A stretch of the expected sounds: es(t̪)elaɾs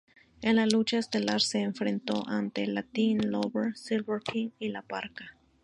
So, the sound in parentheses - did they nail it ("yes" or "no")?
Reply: yes